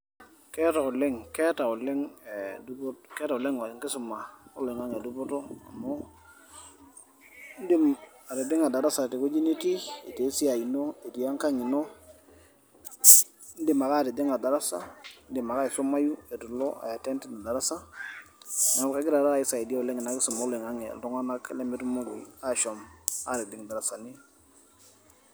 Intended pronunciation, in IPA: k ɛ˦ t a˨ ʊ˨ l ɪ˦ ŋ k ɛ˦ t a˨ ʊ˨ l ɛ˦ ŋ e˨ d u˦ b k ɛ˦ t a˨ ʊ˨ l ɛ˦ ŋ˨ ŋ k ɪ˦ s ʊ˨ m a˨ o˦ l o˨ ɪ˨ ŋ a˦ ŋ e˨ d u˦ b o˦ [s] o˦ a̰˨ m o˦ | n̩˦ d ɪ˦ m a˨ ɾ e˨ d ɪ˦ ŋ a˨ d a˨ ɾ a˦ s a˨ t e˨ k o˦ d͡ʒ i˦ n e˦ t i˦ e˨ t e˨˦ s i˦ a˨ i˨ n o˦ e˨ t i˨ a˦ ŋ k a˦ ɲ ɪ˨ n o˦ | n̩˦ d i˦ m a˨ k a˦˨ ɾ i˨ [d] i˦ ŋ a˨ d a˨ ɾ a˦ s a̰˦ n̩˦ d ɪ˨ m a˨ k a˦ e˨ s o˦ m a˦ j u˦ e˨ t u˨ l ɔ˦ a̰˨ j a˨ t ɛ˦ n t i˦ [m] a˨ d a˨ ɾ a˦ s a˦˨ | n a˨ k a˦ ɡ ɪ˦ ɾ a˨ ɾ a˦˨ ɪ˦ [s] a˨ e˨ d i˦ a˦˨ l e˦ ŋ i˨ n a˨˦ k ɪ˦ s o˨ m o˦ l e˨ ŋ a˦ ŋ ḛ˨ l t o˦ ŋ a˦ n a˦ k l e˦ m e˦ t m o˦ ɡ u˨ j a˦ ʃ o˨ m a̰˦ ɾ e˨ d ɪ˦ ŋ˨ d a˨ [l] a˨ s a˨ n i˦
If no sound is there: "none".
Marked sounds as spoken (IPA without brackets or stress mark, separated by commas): t, d, n, s, ɾ